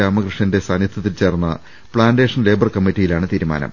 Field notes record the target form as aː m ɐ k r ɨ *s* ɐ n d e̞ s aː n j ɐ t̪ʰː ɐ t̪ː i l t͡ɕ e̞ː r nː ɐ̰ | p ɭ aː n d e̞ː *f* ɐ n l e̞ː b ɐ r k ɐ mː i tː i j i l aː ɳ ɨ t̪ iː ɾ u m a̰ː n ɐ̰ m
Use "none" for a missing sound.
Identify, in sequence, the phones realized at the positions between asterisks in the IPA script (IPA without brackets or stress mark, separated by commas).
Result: ʂ, ʂ